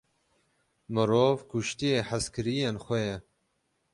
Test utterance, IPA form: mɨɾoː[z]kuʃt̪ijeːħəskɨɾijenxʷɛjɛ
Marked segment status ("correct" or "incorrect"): incorrect